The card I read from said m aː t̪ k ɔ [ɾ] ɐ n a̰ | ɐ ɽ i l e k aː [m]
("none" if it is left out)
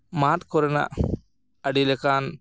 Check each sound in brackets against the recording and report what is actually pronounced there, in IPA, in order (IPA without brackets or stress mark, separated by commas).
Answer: ɾ, n